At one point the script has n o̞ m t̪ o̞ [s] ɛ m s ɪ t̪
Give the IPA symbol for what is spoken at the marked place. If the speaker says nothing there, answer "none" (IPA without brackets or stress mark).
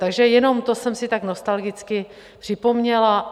s